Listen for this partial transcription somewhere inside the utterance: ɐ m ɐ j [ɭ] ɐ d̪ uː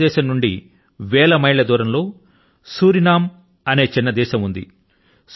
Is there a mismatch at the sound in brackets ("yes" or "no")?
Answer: no